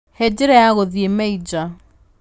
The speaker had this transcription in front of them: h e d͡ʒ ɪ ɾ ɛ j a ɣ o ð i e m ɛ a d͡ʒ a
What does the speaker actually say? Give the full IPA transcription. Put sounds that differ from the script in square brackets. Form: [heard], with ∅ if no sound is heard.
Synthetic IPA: h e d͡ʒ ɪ ɾ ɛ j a ɣ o ð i e m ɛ [i] d͡ʒ a